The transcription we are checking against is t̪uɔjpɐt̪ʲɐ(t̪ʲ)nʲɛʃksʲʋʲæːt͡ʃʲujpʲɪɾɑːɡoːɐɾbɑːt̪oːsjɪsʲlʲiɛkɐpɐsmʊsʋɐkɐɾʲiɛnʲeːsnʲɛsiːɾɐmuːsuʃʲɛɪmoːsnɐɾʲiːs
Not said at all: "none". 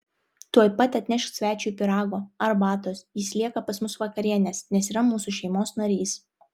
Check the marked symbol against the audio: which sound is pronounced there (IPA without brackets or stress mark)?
t̪ʲ